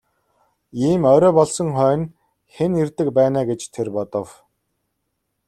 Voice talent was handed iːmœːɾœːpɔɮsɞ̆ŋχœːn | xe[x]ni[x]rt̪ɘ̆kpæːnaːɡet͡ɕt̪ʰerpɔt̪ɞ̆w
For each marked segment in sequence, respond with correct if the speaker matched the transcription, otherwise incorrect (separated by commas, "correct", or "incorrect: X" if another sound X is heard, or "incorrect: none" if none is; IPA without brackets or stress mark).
incorrect: none, incorrect: none